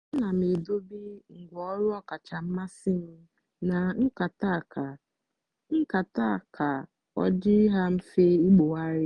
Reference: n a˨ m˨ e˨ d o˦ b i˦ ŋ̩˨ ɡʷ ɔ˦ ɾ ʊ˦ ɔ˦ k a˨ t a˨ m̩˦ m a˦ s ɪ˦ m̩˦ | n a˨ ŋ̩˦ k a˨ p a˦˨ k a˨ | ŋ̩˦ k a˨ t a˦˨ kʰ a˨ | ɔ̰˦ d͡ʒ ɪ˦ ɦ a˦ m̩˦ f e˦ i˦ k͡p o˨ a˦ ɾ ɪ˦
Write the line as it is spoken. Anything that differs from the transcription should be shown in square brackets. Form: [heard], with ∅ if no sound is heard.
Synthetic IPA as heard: n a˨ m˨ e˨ d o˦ b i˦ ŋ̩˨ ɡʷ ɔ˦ ɾ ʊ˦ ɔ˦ k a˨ [t͡ʃ] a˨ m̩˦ m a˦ s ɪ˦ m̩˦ | n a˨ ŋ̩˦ k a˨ [t] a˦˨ k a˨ | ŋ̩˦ k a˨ t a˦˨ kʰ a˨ | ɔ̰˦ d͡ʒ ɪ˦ ɦ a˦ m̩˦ f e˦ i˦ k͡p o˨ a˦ ɾ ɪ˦